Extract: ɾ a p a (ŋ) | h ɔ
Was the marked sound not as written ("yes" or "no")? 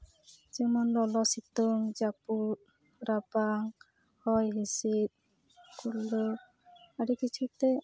no